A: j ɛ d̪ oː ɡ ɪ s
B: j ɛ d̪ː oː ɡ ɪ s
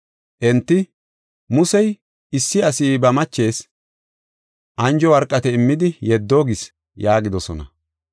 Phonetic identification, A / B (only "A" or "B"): B